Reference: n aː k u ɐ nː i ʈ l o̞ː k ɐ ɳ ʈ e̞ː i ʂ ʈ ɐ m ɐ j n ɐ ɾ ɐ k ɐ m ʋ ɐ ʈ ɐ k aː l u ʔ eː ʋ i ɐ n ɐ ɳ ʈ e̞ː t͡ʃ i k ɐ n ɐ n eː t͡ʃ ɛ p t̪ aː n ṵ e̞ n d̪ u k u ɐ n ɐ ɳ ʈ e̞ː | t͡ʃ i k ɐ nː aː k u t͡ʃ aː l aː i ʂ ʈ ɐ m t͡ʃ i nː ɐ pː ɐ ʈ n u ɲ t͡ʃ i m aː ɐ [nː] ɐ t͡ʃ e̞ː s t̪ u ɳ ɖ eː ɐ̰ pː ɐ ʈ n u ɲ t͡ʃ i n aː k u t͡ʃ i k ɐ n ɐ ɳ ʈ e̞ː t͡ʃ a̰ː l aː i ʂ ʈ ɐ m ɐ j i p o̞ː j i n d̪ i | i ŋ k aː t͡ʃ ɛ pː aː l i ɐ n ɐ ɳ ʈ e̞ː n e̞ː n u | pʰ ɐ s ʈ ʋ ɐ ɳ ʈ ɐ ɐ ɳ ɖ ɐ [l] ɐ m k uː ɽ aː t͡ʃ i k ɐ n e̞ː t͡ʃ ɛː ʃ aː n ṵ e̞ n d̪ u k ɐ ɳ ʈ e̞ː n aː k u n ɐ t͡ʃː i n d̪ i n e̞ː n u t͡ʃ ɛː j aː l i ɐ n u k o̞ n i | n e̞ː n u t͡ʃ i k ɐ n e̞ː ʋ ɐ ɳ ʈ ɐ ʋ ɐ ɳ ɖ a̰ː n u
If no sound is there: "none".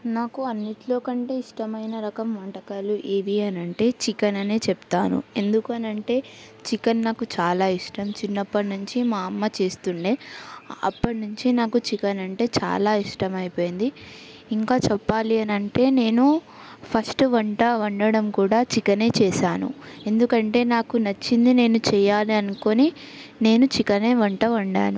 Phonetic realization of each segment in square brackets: mː, ɽ

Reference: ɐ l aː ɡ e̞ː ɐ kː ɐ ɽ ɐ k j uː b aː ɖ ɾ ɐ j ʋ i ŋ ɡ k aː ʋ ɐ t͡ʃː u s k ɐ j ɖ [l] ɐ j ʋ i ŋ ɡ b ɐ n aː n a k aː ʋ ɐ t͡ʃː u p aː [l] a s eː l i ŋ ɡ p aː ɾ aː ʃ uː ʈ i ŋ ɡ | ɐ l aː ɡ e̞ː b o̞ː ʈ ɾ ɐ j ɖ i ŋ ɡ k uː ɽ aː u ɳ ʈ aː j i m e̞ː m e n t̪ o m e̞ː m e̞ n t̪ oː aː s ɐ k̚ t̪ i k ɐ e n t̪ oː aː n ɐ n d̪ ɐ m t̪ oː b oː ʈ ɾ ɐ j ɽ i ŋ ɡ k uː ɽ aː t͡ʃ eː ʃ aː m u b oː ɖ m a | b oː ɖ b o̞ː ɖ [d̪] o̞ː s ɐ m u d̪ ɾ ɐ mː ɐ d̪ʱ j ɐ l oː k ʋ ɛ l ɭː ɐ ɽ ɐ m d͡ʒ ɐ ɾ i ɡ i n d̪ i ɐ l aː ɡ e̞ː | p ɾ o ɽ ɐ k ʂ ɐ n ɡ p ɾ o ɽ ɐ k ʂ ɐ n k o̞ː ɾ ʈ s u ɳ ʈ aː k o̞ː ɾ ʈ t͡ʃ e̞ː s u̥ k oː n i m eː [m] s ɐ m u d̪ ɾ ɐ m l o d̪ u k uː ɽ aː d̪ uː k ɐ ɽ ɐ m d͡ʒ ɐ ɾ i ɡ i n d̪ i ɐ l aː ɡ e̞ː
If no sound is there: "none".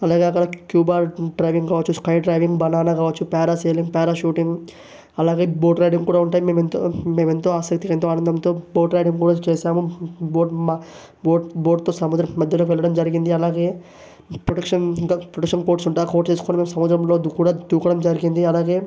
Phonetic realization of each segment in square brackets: ɾ, ɾ, t̪, m

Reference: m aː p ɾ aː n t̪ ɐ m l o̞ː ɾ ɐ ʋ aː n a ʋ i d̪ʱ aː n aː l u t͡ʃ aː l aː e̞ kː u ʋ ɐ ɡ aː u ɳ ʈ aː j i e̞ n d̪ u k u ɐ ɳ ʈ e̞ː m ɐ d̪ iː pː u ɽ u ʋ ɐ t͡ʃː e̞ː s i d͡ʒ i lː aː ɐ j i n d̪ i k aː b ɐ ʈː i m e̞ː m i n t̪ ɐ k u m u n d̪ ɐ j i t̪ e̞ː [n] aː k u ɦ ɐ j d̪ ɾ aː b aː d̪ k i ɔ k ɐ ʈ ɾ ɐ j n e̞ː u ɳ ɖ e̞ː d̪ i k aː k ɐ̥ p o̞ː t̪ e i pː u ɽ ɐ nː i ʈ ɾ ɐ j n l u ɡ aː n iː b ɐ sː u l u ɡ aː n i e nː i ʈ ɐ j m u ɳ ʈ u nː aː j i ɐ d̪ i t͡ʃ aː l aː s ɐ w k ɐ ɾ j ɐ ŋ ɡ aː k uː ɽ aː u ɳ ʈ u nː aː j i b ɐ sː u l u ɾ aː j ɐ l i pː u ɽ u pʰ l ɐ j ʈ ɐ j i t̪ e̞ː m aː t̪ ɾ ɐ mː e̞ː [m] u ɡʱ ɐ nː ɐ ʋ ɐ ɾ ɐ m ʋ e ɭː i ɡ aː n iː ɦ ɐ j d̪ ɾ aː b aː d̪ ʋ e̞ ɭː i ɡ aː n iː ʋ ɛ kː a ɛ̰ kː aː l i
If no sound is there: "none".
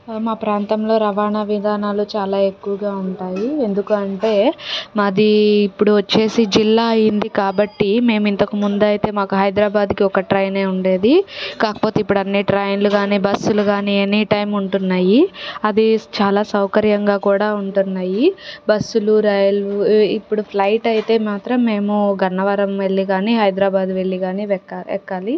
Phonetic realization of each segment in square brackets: m, m

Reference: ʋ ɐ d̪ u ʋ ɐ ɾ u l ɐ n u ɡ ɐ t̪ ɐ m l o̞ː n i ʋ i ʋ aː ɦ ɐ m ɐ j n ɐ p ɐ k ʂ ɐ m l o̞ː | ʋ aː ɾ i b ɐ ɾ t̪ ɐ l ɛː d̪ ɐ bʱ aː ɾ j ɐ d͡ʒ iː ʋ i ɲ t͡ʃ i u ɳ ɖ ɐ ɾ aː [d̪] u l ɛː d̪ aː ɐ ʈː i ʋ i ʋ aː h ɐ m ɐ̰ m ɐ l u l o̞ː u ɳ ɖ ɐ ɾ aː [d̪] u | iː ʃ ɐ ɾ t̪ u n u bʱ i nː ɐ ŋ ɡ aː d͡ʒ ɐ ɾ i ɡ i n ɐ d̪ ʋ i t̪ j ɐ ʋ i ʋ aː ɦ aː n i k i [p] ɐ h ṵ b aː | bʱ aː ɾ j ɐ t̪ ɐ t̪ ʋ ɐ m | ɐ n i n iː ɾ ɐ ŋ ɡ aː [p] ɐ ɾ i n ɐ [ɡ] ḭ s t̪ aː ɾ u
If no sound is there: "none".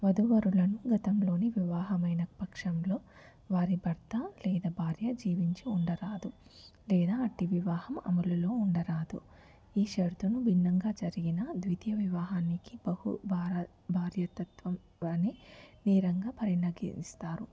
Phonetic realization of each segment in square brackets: d̪, d̪, b, p, ɡ

